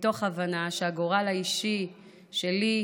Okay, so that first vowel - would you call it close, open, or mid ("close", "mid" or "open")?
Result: mid